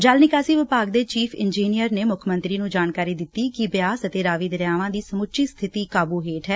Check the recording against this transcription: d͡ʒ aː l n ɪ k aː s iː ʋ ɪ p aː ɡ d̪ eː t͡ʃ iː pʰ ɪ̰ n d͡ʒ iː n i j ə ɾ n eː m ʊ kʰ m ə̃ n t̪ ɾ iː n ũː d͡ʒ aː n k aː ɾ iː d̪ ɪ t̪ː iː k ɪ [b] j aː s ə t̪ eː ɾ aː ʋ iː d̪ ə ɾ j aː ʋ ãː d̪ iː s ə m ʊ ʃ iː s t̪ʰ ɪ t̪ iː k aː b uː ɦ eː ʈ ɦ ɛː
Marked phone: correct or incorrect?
correct